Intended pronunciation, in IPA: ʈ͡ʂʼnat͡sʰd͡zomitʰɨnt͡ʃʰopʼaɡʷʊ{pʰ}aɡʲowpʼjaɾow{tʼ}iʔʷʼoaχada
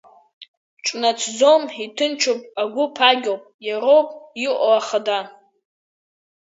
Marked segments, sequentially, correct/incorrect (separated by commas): correct, incorrect